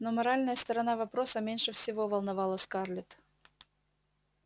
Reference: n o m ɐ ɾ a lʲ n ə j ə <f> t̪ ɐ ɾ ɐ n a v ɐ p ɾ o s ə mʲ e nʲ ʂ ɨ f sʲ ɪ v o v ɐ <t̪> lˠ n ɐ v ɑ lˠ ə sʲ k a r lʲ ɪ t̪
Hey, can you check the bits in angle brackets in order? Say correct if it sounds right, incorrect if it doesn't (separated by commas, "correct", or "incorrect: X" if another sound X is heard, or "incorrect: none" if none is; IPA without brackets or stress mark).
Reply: incorrect: s, incorrect: none